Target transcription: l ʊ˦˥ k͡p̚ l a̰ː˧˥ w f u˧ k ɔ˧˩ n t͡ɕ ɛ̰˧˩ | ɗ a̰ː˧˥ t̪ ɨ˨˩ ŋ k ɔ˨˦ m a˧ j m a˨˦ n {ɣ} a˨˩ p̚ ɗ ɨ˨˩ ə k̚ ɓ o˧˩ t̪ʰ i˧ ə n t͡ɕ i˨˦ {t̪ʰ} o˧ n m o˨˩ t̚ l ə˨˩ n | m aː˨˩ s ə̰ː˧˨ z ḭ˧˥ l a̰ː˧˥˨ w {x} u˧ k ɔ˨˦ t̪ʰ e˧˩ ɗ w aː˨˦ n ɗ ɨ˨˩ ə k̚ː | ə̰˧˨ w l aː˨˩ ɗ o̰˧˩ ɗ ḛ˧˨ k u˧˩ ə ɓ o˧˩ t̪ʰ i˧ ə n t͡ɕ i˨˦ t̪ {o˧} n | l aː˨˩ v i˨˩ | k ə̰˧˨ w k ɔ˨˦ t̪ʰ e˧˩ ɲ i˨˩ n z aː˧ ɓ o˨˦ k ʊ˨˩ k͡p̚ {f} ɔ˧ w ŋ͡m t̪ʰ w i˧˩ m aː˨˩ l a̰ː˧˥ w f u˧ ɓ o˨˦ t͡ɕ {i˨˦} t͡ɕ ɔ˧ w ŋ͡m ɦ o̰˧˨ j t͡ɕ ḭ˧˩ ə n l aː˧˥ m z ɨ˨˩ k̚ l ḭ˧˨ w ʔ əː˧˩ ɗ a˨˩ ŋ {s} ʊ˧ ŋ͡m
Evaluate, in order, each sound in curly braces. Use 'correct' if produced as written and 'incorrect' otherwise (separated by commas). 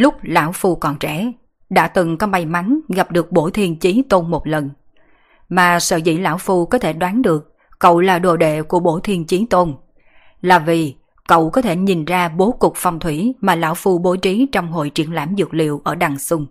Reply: correct, incorrect, incorrect, correct, correct, correct, correct